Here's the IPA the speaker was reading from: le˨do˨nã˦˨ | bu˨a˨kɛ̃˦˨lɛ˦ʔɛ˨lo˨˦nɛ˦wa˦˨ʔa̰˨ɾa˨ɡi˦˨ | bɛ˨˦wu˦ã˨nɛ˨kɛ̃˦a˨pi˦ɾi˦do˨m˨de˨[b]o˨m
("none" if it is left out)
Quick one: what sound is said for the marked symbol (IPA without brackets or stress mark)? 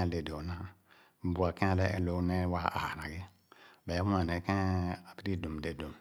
d